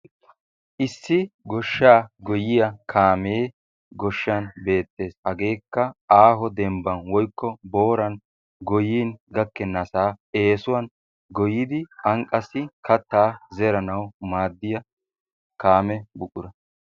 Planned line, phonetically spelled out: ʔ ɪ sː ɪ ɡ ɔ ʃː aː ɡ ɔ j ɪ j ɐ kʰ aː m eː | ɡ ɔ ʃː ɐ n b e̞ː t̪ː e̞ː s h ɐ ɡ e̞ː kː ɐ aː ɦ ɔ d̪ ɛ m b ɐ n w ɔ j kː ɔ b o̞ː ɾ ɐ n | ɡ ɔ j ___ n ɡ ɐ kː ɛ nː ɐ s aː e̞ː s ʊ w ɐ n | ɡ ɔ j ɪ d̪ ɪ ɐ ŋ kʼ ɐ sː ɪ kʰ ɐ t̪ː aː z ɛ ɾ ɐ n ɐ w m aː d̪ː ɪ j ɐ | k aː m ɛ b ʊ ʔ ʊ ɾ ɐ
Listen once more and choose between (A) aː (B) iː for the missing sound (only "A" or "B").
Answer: B